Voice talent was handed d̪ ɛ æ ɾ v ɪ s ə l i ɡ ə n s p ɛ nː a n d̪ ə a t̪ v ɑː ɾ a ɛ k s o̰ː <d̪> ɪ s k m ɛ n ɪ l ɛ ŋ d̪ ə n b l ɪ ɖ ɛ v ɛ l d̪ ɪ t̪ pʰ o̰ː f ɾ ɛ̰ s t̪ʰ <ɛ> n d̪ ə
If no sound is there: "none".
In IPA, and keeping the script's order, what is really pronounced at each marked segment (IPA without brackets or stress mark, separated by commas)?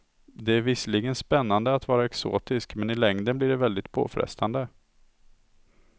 t̪, a